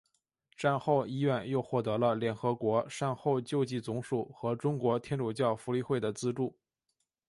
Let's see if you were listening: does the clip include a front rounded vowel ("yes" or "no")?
no